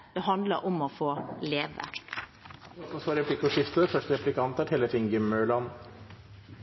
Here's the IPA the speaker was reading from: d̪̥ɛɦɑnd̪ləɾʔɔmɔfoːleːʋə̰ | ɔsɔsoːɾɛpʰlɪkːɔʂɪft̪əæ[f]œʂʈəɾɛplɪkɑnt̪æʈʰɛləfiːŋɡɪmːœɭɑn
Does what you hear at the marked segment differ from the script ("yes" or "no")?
no